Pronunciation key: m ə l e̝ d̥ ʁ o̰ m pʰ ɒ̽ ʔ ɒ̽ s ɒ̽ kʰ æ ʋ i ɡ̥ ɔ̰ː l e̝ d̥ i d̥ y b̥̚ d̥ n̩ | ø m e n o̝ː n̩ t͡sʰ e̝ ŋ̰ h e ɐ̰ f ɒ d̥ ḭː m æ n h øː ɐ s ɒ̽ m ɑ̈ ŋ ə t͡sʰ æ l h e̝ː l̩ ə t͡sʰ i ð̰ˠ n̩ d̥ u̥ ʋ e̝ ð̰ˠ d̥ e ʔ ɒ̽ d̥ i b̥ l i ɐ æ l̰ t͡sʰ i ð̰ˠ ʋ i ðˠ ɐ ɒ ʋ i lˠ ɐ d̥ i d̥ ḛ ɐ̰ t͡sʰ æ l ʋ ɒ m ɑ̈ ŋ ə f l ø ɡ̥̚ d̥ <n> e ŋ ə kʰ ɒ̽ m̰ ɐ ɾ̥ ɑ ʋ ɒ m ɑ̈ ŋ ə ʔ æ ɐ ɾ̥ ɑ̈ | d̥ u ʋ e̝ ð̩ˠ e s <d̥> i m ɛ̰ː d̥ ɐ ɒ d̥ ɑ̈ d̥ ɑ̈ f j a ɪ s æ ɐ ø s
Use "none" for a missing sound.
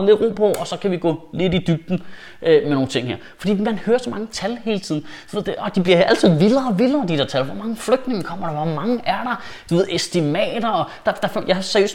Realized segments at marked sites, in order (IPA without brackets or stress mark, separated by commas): n, d̥